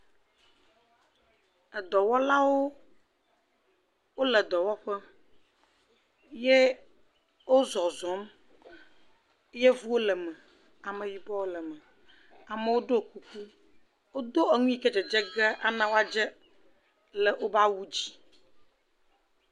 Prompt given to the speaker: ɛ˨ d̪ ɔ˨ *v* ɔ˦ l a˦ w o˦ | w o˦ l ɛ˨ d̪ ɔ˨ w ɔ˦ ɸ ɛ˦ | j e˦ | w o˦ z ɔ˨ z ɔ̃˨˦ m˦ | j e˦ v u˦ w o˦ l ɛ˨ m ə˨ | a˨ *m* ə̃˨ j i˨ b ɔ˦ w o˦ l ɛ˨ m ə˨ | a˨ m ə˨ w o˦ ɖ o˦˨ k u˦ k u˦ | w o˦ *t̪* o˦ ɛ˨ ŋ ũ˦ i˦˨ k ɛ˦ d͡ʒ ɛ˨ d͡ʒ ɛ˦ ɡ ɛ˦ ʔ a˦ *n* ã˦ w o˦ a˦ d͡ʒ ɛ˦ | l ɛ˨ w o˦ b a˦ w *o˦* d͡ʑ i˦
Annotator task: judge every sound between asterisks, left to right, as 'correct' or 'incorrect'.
incorrect: w, correct, incorrect: d̪, correct, incorrect: u˦

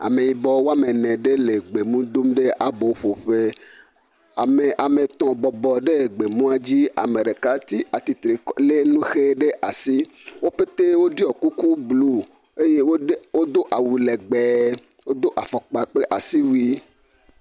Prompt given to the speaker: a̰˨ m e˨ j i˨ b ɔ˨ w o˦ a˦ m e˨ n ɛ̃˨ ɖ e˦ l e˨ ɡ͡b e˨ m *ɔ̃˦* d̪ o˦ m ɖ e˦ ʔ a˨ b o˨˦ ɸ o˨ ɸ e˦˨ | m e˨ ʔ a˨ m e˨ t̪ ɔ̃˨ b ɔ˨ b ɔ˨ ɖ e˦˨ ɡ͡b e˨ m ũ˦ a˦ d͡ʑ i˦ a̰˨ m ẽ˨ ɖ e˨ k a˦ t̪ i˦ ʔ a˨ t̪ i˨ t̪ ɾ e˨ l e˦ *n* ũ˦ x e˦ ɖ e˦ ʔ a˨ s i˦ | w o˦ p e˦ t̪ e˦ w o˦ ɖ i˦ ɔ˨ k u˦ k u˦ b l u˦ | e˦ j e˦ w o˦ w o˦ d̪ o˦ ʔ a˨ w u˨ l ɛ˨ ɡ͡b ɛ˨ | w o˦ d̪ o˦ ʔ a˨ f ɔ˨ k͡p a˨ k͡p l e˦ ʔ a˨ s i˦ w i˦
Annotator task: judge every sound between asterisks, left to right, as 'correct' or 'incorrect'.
incorrect: ũ˦, correct

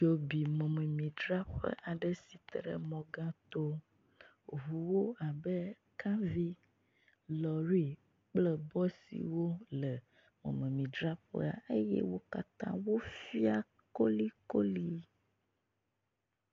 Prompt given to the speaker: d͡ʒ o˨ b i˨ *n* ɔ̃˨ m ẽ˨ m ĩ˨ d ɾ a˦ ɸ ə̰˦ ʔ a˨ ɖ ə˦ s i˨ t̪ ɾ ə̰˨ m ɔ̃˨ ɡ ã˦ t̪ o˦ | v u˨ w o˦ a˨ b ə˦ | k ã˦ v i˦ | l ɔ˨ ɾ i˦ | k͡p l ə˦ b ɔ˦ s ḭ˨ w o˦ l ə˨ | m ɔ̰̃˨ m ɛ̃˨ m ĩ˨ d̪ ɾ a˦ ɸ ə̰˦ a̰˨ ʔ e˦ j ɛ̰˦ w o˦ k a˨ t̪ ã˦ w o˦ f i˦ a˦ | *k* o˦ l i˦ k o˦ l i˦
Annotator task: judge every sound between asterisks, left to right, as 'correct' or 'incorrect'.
incorrect: m, correct

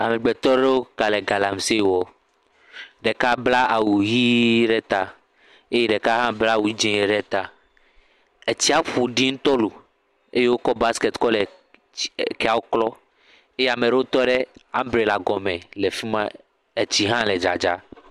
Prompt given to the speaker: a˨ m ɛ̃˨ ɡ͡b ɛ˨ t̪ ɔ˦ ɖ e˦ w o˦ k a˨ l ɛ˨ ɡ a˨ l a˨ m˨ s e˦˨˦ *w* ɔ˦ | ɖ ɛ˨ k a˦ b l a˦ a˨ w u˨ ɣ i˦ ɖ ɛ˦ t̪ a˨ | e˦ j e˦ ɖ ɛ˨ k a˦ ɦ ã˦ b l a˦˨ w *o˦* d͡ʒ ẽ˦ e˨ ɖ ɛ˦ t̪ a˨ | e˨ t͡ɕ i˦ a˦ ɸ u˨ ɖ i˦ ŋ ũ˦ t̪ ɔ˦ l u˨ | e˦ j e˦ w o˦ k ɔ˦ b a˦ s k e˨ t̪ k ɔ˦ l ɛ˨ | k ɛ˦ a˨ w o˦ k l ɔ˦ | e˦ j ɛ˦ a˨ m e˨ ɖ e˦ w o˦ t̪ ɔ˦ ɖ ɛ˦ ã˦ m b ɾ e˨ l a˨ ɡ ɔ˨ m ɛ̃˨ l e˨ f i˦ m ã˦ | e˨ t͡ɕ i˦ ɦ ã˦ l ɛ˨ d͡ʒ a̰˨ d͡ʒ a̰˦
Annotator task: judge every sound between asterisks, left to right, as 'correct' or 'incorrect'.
correct, incorrect: u˦

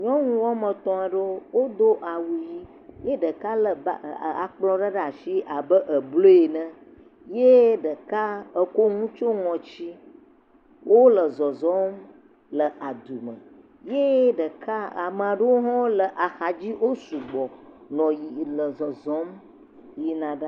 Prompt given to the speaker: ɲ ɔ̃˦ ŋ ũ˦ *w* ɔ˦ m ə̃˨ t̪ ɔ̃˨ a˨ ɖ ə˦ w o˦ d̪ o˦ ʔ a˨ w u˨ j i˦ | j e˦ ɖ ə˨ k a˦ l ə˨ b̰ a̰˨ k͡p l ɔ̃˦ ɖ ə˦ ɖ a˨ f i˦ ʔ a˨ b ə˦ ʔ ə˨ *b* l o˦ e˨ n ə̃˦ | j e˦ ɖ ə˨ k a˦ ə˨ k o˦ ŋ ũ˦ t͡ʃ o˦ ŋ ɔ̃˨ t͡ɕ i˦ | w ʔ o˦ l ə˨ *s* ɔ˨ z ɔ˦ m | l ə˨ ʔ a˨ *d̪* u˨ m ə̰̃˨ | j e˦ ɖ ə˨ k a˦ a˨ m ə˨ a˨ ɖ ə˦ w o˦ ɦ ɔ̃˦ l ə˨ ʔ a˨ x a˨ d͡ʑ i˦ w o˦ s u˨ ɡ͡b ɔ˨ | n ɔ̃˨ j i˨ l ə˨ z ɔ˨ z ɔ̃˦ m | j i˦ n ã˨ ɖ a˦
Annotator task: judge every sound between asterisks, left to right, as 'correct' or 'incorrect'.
correct, correct, incorrect: z, correct

